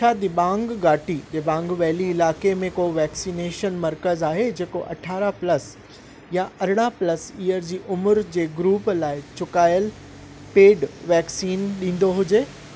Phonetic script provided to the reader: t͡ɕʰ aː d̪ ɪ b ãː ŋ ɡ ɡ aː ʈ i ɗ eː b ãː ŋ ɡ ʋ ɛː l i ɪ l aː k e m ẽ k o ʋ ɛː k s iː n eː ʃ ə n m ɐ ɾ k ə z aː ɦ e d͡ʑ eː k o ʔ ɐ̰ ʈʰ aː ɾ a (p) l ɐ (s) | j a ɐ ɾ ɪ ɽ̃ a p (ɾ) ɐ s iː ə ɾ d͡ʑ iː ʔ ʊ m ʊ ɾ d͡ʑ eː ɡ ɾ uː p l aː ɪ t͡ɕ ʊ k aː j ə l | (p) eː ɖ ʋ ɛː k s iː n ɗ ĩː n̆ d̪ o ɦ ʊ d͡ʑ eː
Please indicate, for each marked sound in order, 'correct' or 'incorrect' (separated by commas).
correct, correct, incorrect, correct